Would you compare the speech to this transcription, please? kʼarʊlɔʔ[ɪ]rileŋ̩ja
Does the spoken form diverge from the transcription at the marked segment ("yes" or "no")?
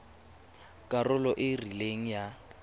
no